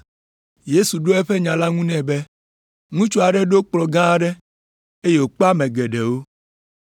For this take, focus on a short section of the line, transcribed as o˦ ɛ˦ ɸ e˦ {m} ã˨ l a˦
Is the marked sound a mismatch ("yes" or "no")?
yes